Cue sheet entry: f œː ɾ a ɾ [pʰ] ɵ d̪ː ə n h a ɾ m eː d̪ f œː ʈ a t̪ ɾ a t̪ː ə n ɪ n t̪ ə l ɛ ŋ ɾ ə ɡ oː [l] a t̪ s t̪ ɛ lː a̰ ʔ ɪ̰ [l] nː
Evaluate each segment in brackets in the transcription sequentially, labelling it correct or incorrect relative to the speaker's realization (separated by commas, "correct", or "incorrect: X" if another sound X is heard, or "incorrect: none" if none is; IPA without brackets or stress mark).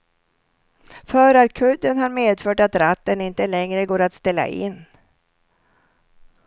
incorrect: kʰ, incorrect: ɾ, incorrect: none